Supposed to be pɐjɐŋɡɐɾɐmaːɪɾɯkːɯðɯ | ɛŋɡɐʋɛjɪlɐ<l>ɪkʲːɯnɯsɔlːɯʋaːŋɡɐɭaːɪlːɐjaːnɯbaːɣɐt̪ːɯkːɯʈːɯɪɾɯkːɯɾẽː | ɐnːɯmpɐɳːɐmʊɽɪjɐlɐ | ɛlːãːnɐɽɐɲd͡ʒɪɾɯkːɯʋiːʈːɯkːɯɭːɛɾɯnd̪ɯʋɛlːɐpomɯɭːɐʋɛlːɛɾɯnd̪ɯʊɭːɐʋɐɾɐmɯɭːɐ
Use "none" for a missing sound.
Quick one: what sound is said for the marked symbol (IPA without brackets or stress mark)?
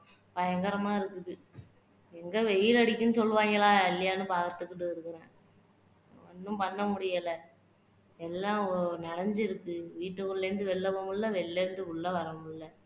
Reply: ɽ